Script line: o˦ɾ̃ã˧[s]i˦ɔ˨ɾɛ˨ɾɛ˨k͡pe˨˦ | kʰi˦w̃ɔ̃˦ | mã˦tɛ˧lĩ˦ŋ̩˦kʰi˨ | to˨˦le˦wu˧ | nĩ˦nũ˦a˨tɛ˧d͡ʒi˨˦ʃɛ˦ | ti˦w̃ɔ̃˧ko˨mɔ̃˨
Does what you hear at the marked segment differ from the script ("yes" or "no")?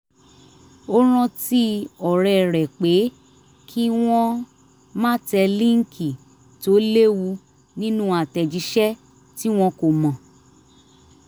yes